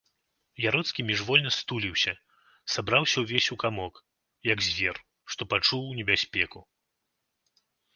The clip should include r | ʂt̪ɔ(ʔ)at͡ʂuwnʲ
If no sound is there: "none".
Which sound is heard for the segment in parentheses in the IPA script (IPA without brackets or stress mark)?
p